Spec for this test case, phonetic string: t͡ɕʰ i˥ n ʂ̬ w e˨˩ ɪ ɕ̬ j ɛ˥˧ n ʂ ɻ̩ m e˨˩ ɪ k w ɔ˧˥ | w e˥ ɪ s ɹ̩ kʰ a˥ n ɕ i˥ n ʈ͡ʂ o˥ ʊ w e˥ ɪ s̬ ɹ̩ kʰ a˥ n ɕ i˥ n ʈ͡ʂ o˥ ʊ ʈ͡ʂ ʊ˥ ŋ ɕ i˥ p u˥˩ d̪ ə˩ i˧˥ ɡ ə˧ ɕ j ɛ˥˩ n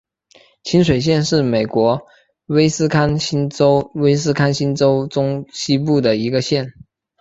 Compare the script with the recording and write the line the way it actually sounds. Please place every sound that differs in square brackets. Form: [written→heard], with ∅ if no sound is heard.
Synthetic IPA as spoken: t͡ɕʰ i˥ n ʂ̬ w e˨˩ ɪ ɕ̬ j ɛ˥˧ n ʂ ɻ̩ m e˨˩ ɪ k w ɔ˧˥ | w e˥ ɪ s ɹ̩ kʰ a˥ n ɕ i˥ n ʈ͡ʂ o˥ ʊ w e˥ ɪ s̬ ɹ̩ kʰ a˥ n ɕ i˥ n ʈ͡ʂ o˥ ʊ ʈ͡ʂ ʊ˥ ŋ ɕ i˥ p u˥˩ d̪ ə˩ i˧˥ ɡ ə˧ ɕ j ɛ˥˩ n